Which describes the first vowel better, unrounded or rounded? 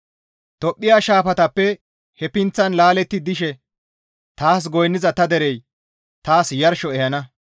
rounded